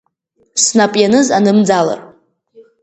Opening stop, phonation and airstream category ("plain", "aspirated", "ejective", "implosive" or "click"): ejective